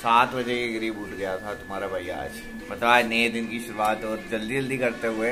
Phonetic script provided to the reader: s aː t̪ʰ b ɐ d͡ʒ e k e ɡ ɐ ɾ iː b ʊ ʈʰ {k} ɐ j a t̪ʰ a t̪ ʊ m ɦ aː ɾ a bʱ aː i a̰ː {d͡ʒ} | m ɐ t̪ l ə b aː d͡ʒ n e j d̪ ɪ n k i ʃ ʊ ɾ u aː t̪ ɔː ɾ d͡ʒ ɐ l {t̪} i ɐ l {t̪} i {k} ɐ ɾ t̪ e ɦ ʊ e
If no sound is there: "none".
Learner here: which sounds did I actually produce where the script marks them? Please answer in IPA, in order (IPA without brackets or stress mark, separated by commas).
ɡ, d͡ʒ, d̪, d̪, k